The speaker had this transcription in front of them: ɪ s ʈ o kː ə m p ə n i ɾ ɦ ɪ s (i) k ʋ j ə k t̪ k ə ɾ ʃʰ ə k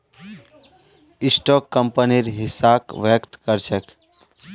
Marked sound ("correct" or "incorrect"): incorrect